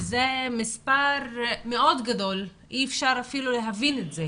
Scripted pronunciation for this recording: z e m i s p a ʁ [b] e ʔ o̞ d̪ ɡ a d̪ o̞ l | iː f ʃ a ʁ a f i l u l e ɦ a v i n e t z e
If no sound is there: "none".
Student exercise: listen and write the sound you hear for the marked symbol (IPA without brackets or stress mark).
m